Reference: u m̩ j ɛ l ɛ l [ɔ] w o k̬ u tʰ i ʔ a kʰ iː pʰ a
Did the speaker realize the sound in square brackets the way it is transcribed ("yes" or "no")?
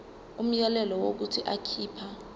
yes